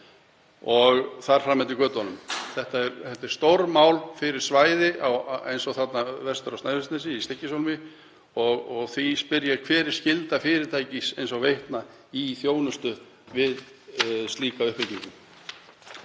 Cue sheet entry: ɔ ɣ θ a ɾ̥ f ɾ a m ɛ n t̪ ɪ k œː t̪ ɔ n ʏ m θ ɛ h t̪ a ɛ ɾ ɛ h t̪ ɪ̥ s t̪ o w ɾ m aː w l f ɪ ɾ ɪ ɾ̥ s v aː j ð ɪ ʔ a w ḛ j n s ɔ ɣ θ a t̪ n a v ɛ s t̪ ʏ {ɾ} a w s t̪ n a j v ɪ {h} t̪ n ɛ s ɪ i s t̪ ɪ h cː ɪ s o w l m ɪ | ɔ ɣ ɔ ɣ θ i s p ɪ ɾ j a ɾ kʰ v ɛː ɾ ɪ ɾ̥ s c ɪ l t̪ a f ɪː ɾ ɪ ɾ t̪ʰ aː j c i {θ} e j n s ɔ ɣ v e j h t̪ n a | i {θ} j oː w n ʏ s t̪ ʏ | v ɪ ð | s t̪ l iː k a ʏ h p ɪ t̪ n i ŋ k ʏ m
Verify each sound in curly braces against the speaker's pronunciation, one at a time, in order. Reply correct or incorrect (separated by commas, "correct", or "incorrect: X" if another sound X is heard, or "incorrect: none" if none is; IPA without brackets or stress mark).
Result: correct, incorrect: s, incorrect: s, correct